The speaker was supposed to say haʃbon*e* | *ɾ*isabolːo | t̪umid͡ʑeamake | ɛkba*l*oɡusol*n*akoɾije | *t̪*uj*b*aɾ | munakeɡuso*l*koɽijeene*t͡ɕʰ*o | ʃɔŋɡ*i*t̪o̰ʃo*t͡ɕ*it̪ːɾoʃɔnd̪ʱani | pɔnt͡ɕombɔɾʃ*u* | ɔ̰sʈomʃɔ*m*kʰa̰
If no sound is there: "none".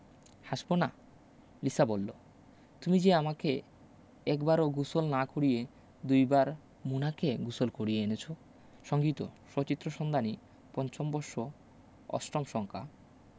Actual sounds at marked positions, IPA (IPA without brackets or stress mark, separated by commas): a, l, ɾ, n, d̪, b, l, t͡ɕʰ, i, t͡ɕ, o, ŋ